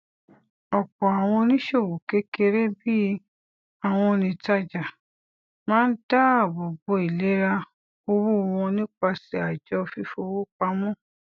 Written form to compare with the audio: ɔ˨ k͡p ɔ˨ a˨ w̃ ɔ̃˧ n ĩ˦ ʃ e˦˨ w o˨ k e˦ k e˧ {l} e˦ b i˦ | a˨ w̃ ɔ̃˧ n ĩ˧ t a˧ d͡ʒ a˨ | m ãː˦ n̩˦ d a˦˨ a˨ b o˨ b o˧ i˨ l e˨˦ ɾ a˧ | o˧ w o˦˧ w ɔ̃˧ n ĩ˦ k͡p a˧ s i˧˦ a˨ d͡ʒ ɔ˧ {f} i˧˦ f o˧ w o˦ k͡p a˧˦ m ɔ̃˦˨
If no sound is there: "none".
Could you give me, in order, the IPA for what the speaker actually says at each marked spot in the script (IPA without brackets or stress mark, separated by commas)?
ɾ, f